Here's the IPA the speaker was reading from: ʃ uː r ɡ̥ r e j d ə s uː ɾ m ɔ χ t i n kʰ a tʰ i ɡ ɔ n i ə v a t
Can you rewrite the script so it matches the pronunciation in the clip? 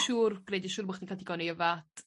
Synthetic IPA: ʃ uː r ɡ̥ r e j d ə ʃ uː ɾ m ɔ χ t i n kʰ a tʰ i ɡ ɔ n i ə v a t